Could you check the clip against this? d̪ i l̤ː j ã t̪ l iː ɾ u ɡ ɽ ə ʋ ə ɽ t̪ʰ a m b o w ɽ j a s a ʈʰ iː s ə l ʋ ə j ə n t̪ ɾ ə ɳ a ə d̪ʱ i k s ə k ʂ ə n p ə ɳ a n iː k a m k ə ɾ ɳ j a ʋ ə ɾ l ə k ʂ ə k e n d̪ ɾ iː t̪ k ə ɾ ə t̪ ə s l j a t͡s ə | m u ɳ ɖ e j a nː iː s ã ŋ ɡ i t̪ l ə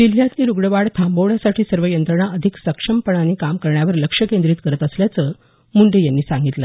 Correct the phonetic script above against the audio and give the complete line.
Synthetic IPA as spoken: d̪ i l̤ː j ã t̪ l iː ɾ u ɡ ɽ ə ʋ a ɽ t̪ʰ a m b o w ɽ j a s a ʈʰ iː s ə ɾ ʋ ə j ə n t̪ ɾ ə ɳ a ə d̪ʱ i k s ə k ʂ ə m p ə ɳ a n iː k a m k ə ɾ ɳ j a ʋ ə ɾ l ə k ʂ ə k e n d̪ ɾ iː t̪ k ə ɾ ə t̪ ə s l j a t͡s ə | m u ɳ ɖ e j a nː iː s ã ŋ ɡ i t̪ l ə